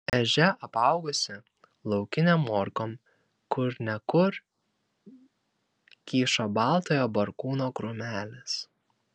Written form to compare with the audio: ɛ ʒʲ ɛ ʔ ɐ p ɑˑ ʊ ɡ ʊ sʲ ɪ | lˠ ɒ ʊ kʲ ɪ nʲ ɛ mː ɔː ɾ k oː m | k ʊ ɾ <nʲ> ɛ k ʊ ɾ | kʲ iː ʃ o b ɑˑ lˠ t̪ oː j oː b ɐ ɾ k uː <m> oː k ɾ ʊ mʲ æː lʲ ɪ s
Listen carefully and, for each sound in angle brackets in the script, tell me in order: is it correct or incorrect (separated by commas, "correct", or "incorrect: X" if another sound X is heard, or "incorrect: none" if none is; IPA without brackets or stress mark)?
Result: correct, incorrect: n